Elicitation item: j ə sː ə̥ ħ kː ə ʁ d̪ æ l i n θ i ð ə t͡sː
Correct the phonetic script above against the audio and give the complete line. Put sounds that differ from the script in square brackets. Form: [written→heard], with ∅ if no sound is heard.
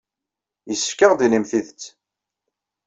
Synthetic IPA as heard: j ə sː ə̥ [ħ→f] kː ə ʁ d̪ [æ→i] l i [n→m] θ i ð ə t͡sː

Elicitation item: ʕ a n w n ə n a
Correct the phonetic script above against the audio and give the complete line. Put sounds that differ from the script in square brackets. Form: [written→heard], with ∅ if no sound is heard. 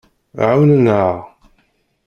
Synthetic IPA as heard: ʕ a [n→∅] w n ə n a

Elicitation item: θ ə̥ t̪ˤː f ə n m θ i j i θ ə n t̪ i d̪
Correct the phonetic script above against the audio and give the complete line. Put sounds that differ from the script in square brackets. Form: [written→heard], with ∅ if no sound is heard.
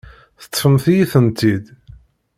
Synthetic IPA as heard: θ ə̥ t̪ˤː f ə [n→∅] m θ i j i θ ə n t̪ i d̪

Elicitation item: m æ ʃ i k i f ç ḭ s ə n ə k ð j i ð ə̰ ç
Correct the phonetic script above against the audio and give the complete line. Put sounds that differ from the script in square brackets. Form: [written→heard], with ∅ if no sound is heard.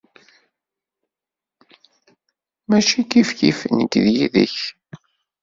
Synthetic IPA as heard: m æ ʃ i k i f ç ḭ [s→f] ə n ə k ð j i ð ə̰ ç

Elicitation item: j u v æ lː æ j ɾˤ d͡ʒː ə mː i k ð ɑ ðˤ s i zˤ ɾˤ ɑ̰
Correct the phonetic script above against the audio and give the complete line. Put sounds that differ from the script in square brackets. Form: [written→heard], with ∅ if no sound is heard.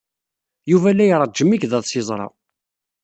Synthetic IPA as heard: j u v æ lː æ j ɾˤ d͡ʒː ə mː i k ð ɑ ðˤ s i zˤ ɾˤ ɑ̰

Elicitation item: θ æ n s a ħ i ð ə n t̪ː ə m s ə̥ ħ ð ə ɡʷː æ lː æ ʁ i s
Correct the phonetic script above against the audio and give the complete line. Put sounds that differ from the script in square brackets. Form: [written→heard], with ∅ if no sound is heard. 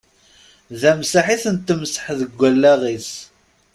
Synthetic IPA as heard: [θ→ð] æ [n→m] s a ħ i [ð→θ] ə n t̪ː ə m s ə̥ ħ ð ə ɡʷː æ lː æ ʁ i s

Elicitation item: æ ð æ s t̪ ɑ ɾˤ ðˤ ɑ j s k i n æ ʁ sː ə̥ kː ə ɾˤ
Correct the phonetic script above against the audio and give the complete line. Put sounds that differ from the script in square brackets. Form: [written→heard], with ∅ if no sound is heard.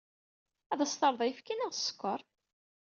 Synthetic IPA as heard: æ ð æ s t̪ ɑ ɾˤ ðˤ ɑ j [s→f] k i n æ ʁ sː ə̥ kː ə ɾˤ

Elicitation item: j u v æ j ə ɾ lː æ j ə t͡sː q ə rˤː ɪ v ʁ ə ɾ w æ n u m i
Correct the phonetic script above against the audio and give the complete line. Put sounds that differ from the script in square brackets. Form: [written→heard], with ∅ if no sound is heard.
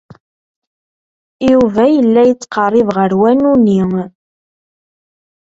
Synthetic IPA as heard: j u v æ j ə [ɾ→∅] lː æ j ə t͡sː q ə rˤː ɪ v ʁ ə ɾ w æ n u [m→n] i

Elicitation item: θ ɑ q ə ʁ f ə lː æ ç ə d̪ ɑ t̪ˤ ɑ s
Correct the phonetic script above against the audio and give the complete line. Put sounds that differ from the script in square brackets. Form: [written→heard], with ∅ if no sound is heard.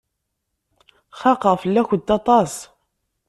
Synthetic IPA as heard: [θ→χ] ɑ q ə ʁ f ə lː æ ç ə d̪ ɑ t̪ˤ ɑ s

